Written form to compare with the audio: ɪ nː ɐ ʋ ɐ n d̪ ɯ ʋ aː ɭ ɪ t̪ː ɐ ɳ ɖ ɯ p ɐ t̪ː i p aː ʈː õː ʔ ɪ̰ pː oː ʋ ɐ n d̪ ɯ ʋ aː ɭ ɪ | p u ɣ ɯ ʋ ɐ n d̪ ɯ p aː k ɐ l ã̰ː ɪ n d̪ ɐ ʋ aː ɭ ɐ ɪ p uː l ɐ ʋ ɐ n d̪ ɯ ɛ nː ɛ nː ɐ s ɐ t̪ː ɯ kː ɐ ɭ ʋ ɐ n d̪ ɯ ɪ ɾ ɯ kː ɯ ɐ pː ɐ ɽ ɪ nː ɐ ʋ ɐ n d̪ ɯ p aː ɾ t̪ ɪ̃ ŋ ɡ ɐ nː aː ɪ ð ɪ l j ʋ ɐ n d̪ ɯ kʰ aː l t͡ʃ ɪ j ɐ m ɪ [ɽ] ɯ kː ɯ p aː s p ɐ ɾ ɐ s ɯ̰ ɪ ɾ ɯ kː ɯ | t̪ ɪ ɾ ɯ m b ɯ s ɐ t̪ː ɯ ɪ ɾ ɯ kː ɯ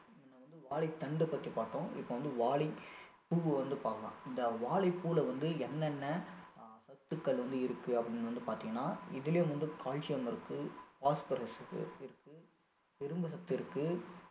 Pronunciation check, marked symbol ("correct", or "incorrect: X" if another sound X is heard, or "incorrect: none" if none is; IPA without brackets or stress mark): incorrect: ɾ